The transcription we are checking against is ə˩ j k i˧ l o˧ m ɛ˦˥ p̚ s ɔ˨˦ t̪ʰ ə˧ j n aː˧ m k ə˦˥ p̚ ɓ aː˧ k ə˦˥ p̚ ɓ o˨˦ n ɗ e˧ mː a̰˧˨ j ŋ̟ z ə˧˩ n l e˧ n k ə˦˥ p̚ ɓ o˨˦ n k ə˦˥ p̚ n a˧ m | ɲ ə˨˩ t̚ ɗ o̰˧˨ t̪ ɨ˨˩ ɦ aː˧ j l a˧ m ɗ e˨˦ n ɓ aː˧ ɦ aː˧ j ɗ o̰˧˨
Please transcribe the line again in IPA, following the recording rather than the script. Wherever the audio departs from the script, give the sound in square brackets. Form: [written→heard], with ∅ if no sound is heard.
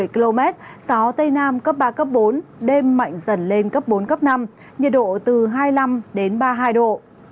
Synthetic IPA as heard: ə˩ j k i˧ l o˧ m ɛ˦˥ [p̚→t̚] s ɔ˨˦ [t̪ʰ→t̪] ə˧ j n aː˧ m k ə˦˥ p̚ ɓ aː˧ k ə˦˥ p̚ ɓ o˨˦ n ɗ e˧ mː a̰˧˨ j ŋ̟ z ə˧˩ n l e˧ n k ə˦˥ p̚ ɓ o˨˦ n k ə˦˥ p̚ n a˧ m | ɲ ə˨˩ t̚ ɗ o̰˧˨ t̪ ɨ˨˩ ɦ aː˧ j l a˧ m ɗ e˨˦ n ɓ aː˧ ɦ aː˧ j ɗ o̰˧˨